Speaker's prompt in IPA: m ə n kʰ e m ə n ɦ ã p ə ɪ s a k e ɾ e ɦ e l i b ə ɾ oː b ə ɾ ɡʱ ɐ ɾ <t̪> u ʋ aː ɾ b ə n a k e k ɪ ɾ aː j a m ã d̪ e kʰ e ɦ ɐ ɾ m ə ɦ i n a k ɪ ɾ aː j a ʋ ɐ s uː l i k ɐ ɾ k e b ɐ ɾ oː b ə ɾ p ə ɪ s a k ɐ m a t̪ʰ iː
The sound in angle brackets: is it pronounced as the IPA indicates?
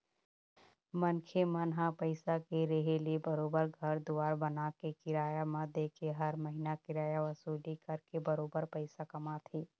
no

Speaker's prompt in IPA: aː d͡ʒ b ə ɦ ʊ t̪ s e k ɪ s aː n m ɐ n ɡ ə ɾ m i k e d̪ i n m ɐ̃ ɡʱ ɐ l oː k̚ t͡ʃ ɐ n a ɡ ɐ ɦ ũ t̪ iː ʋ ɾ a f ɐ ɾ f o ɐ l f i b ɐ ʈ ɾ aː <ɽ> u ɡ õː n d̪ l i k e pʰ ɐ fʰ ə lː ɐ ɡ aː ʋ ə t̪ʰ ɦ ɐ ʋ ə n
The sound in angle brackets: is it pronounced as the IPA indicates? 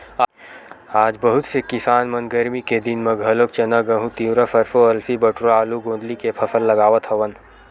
no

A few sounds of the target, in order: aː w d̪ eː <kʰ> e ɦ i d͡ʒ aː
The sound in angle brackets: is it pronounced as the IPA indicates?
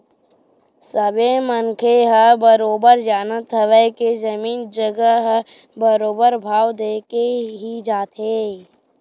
no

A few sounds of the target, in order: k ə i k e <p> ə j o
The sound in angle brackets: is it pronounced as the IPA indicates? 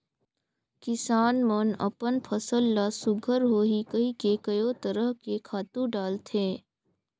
no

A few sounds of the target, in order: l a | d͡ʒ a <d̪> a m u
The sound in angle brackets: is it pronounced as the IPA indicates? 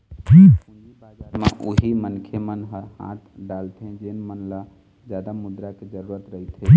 yes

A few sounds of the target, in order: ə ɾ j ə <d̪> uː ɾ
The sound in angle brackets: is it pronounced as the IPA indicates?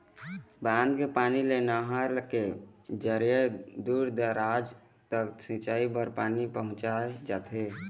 yes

